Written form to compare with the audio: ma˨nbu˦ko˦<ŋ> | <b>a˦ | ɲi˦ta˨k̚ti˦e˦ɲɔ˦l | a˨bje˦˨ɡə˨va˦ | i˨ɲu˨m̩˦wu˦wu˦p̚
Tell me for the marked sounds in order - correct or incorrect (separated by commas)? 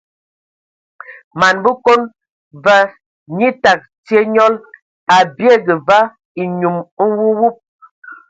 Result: incorrect, incorrect